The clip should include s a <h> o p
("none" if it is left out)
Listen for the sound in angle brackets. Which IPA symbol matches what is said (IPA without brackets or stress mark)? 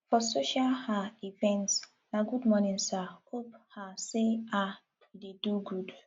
h